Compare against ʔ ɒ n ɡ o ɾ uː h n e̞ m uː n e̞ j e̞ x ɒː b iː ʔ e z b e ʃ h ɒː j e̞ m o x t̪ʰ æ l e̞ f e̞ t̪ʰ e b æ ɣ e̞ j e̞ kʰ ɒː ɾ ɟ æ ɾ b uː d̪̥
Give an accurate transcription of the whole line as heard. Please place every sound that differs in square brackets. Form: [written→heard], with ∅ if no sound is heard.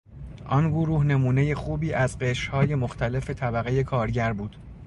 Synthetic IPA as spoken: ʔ ɒ n ɡ o ɾ uː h n e̞ m uː n e̞ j e̞ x [ɒː→uː] b iː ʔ [e→æ] z [b→ɢ] e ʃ h ɒː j e̞ m o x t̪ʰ æ l e̞ f e̞ t̪ʰ [e→æ] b æ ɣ e̞ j e̞ kʰ ɒː ɾ ɟ æ ɾ b uː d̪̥